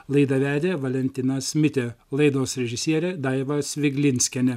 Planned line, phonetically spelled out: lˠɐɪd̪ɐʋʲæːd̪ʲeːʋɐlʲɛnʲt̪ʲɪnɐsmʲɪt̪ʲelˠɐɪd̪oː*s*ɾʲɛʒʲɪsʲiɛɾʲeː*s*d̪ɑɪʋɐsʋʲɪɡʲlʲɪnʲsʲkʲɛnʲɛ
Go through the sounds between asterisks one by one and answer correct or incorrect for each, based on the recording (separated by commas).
correct, incorrect